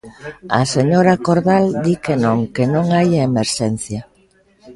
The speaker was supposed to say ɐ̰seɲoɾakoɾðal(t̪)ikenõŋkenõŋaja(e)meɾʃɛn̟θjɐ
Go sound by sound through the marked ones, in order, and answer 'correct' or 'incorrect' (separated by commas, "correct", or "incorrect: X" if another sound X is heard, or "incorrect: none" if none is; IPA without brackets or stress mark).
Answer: incorrect: d̪, correct